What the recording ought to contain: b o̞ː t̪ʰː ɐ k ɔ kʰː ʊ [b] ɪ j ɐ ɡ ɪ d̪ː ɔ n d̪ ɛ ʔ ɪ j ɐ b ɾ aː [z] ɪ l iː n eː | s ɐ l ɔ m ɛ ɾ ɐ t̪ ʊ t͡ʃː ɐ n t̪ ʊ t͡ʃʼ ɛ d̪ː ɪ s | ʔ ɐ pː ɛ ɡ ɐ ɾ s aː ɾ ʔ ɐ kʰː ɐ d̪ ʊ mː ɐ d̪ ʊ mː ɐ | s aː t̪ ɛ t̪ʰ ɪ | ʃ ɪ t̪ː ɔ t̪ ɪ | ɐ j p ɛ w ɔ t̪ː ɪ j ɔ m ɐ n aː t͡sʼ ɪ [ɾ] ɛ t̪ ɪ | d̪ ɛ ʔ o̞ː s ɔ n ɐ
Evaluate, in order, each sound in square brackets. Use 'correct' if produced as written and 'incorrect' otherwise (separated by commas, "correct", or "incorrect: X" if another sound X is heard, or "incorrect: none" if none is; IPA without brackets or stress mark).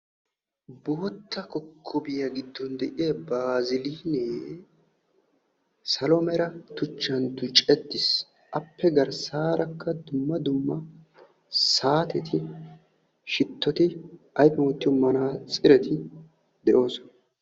correct, correct, correct